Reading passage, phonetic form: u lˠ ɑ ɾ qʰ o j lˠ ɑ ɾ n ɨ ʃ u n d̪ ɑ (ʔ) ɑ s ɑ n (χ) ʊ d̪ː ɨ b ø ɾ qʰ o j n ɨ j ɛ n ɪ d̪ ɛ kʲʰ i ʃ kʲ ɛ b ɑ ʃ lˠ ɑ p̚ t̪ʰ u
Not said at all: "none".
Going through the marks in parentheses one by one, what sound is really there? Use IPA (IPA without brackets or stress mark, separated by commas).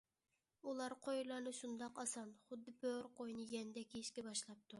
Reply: q, χ